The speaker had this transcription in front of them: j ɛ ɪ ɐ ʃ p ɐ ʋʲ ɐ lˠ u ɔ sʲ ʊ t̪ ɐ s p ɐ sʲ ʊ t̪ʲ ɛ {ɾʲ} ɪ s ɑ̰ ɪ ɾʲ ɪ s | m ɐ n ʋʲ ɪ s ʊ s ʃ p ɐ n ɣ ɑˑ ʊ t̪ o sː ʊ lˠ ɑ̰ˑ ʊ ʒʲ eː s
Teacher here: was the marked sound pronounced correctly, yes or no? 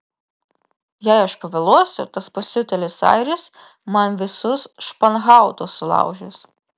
no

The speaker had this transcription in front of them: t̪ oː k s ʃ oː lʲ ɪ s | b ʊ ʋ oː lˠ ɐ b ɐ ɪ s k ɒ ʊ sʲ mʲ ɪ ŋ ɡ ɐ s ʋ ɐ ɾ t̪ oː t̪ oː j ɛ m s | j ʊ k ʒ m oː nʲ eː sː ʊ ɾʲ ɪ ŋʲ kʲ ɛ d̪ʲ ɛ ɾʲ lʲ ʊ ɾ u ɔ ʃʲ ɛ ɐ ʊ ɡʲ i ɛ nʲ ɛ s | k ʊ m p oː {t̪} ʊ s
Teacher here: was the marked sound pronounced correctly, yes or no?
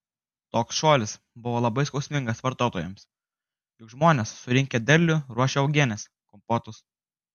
yes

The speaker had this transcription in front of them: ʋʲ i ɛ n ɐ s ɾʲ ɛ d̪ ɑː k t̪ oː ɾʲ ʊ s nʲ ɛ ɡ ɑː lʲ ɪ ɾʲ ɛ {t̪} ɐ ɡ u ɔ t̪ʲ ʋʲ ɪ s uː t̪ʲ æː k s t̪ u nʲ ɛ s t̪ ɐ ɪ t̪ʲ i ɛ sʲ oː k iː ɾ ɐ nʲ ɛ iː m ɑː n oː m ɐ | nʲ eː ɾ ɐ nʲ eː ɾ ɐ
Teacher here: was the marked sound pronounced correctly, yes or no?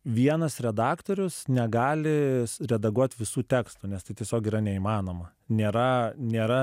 no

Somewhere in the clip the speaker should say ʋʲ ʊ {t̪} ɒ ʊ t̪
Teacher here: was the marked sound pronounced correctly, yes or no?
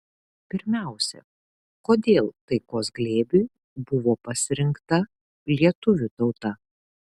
yes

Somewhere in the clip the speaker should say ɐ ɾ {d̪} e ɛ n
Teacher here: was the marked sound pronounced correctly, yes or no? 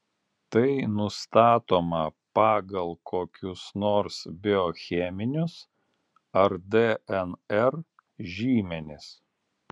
yes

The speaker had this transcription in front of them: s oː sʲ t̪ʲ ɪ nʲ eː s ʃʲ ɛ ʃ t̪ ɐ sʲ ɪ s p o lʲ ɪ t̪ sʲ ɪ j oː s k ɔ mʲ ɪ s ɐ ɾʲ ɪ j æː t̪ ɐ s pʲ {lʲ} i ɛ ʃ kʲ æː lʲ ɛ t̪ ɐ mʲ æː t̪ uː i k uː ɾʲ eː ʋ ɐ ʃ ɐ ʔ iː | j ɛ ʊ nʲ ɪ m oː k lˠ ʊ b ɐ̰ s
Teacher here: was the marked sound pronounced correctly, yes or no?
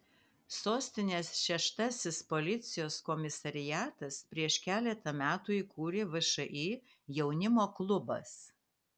no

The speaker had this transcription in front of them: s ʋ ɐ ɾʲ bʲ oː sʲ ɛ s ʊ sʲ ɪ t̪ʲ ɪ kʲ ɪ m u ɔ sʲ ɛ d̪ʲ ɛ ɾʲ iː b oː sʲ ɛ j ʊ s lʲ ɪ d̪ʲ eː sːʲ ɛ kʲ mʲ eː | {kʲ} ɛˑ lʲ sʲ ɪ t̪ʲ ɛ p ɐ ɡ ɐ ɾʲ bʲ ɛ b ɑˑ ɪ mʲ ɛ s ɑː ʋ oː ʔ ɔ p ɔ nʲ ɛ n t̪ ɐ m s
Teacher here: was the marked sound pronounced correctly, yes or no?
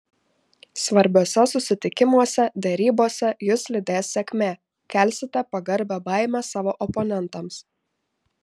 yes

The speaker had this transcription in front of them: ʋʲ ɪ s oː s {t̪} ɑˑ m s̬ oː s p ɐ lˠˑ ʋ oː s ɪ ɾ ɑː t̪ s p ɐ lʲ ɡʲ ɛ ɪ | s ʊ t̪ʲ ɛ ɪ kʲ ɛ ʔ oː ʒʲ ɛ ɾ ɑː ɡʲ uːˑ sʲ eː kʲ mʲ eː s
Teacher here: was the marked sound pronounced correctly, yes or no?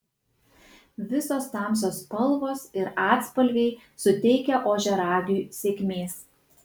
yes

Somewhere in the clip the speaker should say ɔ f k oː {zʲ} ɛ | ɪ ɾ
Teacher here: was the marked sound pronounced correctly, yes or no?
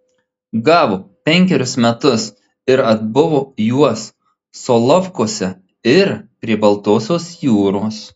no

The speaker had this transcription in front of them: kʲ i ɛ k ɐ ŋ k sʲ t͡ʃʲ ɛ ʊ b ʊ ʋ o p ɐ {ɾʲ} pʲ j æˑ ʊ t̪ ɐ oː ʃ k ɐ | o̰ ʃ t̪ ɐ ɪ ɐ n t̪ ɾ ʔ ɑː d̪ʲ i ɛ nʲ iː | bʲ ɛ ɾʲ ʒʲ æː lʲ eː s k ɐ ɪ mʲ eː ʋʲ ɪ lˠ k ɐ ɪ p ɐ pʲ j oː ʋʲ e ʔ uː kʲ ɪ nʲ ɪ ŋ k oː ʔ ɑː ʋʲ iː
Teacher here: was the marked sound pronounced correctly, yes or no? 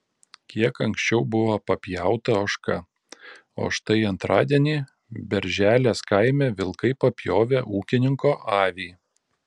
no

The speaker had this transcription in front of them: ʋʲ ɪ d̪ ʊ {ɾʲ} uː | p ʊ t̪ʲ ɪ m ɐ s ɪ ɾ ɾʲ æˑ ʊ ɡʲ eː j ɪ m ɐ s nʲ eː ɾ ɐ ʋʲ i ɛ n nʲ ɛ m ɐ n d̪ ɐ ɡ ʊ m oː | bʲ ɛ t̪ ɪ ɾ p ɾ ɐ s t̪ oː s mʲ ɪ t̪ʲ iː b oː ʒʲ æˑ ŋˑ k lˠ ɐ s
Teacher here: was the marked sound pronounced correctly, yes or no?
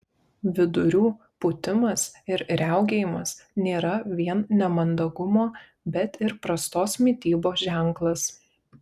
yes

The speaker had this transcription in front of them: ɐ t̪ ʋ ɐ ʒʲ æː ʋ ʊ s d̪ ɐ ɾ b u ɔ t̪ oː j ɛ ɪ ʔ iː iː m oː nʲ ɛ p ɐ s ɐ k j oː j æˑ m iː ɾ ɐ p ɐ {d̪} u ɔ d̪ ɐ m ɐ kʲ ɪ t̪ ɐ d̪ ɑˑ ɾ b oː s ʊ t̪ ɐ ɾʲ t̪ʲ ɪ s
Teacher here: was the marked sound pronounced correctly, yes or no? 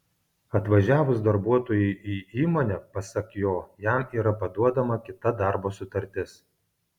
yes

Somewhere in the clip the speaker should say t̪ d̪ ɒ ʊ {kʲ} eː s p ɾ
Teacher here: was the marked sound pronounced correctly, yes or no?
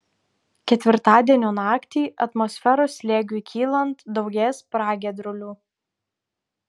no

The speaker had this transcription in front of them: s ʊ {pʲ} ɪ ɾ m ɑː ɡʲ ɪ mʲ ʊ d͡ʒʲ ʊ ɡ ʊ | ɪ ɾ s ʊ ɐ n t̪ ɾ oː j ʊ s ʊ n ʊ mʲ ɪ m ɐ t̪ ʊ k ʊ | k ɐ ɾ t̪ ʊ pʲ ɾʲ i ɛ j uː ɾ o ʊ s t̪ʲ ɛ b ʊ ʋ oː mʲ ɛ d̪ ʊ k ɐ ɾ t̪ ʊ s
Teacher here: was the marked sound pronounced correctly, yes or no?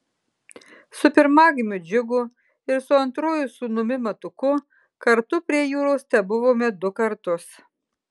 yes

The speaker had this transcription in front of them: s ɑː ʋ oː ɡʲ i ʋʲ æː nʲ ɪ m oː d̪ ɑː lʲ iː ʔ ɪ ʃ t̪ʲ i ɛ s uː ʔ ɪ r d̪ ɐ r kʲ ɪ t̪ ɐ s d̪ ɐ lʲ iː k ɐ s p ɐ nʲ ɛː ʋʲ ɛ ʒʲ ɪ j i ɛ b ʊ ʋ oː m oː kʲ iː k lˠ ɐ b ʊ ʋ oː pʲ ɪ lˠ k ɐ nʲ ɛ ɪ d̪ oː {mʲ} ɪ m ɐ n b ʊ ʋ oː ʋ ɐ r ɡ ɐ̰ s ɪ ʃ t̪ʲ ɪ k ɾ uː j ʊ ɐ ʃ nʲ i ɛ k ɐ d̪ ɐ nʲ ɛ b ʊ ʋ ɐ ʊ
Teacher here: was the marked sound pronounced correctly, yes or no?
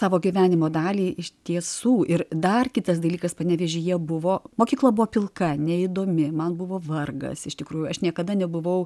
yes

